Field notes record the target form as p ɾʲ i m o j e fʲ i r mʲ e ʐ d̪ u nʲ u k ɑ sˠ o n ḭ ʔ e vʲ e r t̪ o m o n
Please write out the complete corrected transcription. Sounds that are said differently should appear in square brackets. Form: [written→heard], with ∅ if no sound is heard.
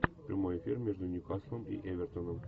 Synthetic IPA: p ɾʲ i m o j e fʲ i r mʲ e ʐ d̪ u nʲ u k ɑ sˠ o [n→m] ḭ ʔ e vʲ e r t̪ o [m→n] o [n→m]